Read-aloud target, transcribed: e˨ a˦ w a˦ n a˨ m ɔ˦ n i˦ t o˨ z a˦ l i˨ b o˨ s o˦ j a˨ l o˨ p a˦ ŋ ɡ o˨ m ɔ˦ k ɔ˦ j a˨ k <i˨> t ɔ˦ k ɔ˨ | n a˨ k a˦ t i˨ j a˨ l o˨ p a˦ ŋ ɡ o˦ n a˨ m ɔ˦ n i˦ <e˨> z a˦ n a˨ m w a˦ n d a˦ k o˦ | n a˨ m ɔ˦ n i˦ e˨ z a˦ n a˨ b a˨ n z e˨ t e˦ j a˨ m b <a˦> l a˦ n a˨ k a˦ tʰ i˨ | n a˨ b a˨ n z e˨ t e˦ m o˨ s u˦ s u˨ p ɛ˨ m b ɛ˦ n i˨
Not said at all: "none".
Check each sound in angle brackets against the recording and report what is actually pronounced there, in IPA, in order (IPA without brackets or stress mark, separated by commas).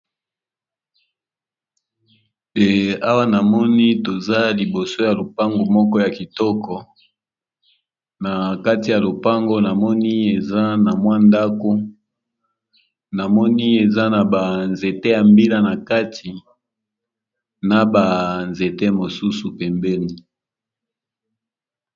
i˨, e˨, i˦